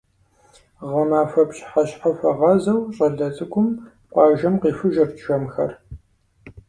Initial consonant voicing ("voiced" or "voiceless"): voiced